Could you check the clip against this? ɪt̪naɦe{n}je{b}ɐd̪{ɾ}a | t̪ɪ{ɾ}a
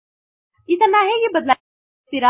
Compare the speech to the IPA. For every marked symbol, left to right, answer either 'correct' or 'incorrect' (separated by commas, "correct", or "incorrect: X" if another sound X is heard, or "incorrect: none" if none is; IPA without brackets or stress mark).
incorrect: none, correct, incorrect: l, correct